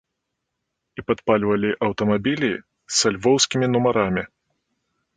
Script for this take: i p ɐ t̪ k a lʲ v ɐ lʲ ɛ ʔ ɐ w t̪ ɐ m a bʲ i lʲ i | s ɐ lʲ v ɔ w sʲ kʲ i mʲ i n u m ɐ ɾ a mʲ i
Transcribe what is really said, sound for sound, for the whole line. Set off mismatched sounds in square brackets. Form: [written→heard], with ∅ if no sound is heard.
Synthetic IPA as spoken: i p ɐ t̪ [k→p] a lʲ v ɐ lʲ [ɛ→i] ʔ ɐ w t̪ ɐ m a bʲ i lʲ i | s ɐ lʲ v ɔ w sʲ kʲ i mʲ i n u m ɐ ɾ a mʲ i